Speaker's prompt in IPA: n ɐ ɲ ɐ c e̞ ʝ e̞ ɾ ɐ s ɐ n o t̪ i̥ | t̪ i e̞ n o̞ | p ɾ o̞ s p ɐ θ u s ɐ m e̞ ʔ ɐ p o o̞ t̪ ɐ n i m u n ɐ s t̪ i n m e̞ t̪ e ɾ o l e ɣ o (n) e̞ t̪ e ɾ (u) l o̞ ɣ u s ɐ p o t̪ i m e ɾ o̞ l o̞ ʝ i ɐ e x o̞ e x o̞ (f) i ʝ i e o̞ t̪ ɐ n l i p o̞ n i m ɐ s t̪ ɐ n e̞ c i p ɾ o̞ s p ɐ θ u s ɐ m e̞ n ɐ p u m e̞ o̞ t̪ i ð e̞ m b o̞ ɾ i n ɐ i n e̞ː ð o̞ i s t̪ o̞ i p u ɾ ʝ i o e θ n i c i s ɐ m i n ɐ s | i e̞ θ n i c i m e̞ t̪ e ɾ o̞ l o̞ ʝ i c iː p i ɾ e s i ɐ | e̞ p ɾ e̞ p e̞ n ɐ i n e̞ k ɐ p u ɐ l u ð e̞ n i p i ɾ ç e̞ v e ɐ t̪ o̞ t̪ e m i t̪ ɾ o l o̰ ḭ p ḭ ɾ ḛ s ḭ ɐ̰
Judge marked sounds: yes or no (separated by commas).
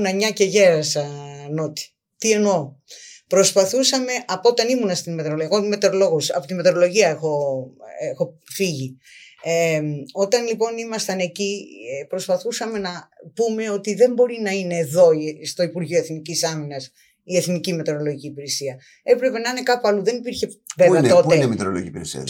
no, no, yes